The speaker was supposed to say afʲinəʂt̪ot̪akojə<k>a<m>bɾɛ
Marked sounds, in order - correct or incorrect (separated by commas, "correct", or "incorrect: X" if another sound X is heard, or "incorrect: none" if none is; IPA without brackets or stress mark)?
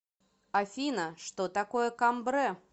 correct, correct